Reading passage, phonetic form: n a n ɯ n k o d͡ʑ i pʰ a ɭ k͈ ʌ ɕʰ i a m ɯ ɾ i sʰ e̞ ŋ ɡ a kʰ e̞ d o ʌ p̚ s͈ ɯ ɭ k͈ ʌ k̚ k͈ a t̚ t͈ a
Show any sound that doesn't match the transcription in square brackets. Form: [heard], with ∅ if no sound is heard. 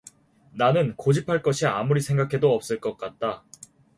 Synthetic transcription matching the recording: n a n ɯ n k o d͡ʑ i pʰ a ɭ k͈ ʌ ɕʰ i a m [u] ɾ i sʰ e̞ ŋ ɡ a kʰ e̞ d o ʌ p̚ s͈ ɯ ɭ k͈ ʌ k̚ k͈ a t̚ t͈ a